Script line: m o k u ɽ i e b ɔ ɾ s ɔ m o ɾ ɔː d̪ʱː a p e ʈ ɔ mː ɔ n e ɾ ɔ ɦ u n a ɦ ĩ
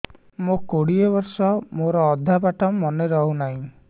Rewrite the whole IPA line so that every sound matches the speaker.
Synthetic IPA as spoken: m o k o ɽ i e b ɔ ɾ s ɔ m o ɾ ɔː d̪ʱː a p a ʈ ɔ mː ɔ n e ɾ ɔ ɦ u n a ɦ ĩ